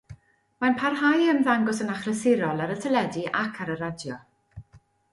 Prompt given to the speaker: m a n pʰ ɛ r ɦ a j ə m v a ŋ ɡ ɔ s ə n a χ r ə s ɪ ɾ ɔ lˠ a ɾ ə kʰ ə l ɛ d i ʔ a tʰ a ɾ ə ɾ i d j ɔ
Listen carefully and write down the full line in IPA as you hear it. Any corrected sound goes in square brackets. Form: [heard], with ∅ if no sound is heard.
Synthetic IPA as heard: m a n pʰ [a] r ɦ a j ə m [ð] a ŋ ɡ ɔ s ə n a χ r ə s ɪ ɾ ɔ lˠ a ɾ ə [tʰ] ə l ɛ d i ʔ a [kʰ] a ɾ ə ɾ [a] d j ɔ